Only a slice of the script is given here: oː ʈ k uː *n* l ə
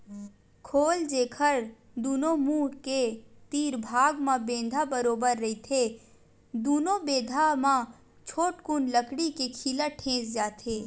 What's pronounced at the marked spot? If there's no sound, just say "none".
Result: n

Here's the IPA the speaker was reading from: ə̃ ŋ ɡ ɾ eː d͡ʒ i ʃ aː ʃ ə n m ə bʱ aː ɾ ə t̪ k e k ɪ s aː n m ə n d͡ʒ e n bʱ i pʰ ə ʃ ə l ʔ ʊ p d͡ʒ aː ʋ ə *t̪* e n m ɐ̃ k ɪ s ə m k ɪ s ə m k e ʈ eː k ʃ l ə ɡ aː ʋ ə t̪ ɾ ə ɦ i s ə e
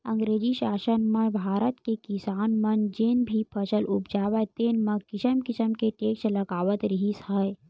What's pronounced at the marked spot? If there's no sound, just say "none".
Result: t̪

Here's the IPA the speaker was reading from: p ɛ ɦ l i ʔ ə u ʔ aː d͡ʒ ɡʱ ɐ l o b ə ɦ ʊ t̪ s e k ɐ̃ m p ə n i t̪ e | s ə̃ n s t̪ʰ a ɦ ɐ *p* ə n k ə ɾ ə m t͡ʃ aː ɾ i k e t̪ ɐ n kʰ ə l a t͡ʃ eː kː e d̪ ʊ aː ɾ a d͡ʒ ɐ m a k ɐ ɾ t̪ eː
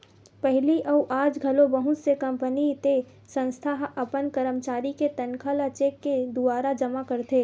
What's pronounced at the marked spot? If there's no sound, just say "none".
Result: p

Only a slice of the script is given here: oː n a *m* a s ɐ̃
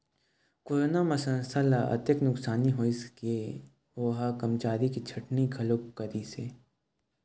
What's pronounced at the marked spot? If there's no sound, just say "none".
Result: m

